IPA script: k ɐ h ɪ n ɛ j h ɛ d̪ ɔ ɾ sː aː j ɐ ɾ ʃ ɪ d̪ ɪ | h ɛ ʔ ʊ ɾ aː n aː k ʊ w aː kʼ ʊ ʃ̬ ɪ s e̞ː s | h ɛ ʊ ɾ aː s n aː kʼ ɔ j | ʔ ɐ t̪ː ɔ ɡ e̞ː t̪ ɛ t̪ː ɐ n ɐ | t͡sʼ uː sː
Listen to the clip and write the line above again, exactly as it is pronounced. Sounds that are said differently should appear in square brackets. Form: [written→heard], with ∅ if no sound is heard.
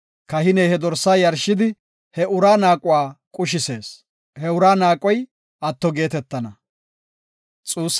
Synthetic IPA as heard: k ɐ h ɪ n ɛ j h ɛ d̪ ɔ ɾ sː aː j ɐ ɾ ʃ ɪ d̪ ɪ | h ɛ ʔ ʊ ɾ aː n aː [k→kʼ] ʊ w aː kʼ ʊ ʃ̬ ɪ s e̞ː s | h ɛ ʊ ɾ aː [s→∅] n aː kʼ ɔ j | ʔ ɐ t̪ː ɔ ɡ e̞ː t̪ ɛ t̪ː ɐ n ɐ | t͡sʼ uː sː